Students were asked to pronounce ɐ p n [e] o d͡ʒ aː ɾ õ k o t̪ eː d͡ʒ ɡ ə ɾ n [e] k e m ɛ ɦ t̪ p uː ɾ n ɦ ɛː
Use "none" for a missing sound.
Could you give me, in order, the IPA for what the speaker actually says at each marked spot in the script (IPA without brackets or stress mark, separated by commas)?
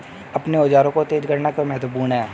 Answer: e, a